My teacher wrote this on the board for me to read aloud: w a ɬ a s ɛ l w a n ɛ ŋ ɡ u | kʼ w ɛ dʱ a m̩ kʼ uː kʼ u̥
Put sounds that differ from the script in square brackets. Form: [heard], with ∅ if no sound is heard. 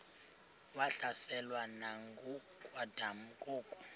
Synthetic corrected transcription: w a ɬ a s ɛ l w a n [a] ŋ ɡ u | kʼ w [a] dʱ a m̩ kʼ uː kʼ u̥

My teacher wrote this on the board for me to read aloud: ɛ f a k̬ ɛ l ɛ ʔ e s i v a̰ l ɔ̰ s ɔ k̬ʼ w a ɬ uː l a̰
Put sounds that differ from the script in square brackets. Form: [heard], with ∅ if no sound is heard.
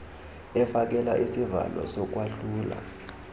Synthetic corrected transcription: ɛ f a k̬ ɛ l [a] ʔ [i] s i v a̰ l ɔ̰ s ɔ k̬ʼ w a ɬ uː l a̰

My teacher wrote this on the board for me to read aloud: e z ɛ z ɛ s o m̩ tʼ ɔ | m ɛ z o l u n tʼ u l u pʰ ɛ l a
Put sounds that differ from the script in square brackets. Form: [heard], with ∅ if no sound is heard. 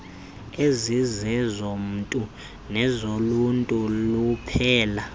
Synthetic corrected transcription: e z [i] z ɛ [z] o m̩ tʼ [u] | [n] ɛ z o l u n tʼ u l u pʰ [ɛː] l a

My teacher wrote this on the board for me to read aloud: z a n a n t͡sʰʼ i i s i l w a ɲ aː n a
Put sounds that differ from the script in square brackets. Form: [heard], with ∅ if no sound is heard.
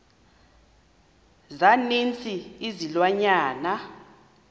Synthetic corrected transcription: z a n [i] n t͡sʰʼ i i [z] i l w a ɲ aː n a

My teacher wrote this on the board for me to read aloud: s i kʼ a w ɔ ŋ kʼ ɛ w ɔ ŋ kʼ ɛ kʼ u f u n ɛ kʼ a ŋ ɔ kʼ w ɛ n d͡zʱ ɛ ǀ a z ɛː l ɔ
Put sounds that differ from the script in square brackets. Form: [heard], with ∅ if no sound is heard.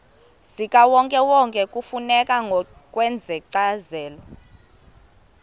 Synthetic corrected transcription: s i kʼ a w ɔ ŋ kʼ ɛ w ɔ ŋ kʼ ɛ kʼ u f u n ɛ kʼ a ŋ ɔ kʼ w ɛ n d͡zʱ ɛ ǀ a z ɛː l ɔ

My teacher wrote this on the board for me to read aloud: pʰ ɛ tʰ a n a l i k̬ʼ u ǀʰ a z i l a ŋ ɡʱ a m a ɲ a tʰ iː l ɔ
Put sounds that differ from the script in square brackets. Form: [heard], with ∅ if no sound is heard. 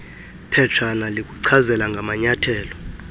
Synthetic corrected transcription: pʰ ɛ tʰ a n a l i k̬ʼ u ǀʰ a z [ɛ] l a ŋ ɡʱ a m a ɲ a tʰ [ɛː] l ɔ

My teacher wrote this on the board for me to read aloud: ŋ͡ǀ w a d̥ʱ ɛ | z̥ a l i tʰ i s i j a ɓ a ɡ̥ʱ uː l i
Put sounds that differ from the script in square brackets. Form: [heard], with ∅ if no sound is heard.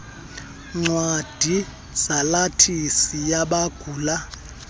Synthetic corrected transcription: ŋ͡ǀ w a d̥ʱ [i] | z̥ a l [a] tʰ i s i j a ɓ a ɡ̥ʱ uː l [a]

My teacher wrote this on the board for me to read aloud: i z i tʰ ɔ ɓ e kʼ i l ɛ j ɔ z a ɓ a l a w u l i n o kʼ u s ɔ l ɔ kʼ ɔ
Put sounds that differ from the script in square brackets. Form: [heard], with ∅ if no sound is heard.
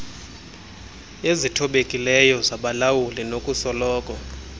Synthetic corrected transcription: [e] z i tʰ ɔ ɓ e kʼ i l ɛ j ɔ z a ɓ a l a w u l i n o kʼ u s ɔ l [ɔː] kʼ ɔ

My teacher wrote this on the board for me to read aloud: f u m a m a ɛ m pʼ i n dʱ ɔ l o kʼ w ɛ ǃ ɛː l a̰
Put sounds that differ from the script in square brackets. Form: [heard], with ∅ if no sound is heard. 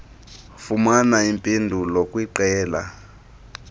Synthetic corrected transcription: f u m a [n] a [i] m pʼ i n dʱ [u] l o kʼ w [i] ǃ ɛː l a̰

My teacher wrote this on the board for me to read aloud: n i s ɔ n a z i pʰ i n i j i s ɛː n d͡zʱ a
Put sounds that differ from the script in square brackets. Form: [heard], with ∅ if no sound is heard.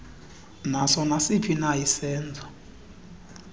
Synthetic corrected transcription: n [a] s ɔ n a [s] i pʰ i n [a] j i s ɛː n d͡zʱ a

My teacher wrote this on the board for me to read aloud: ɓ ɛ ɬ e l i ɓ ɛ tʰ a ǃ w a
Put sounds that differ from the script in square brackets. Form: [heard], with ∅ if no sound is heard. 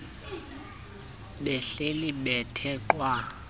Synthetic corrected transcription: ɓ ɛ ɬ e l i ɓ ɛ tʰ [ɛ] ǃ w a

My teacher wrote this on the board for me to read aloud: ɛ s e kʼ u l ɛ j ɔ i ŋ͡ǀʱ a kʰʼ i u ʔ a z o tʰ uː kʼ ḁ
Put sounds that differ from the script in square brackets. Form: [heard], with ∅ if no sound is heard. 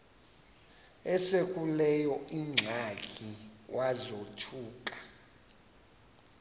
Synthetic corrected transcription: ɛ s e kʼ u l ɛ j ɔ i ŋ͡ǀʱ a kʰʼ i [w] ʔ a z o tʰ uː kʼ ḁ

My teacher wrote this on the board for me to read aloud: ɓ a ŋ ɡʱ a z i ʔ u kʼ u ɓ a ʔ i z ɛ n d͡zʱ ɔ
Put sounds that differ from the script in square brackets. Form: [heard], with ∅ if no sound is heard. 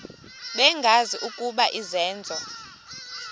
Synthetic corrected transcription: ɓ [ɛ] ŋ ɡʱ a z i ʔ u kʼ u ɓ a ʔ i z [ɛː] n d͡zʱ ɔ

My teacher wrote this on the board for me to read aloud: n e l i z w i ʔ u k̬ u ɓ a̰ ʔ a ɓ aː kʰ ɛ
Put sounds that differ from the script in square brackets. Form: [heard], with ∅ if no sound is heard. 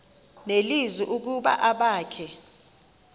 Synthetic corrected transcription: n e l i z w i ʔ u k̬ u ɓ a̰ ʔ a ɓ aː kʰ ɛ

